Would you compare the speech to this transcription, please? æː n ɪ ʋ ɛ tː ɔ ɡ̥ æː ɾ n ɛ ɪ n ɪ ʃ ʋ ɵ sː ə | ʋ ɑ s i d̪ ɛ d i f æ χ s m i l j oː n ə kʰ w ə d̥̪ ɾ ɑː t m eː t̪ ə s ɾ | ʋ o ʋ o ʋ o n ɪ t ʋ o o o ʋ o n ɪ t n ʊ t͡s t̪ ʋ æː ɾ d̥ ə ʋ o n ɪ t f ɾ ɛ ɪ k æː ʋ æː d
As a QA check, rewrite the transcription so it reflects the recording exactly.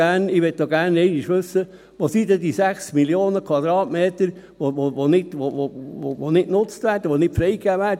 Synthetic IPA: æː n ɪ ʋ ɛ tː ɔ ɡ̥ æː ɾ n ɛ ɪ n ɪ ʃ ʋ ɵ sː ə | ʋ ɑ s i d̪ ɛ d i s æ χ s m i l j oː n ə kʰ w ɑ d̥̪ ɾ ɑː t m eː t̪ ə ɾ | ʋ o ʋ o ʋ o n ɪ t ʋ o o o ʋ o n ɪ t n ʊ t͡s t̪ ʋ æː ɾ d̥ ə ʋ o n ɪ t f ɾ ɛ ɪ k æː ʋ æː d